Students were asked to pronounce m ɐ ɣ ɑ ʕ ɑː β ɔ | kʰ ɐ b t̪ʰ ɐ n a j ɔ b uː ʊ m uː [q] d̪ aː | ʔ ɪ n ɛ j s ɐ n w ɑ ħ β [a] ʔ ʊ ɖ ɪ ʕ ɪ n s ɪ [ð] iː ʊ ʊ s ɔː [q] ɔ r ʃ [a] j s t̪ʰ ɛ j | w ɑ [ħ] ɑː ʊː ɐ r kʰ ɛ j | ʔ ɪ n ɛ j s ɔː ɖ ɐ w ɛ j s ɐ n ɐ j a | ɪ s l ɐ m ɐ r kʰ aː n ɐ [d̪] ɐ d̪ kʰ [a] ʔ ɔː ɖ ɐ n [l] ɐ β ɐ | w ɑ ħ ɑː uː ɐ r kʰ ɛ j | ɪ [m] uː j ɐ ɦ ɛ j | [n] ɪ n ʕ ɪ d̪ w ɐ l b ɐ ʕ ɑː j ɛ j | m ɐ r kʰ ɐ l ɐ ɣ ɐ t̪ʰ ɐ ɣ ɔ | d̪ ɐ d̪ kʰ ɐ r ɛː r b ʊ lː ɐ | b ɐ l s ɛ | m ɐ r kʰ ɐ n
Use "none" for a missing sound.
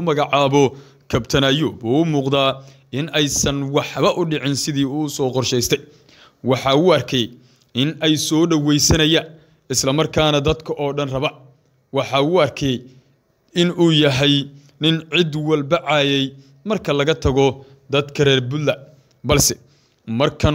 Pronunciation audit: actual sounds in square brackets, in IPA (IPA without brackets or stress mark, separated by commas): q, ɐ, ð, q, ɛ, ħ, d̪, ɐ, r, n, n